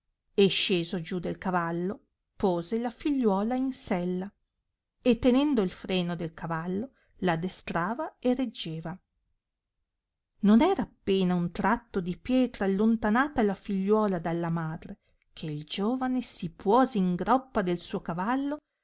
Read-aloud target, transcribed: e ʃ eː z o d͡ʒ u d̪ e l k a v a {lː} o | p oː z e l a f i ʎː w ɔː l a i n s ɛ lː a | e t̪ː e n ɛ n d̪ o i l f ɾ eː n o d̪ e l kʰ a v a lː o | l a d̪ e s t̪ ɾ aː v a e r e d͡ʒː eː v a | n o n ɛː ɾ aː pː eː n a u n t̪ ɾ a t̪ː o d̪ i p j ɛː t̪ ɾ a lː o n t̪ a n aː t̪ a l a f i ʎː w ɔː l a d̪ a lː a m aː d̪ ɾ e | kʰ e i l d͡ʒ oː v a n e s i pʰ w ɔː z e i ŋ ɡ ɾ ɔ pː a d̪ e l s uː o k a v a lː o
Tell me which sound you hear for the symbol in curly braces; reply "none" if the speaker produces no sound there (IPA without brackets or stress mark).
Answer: lː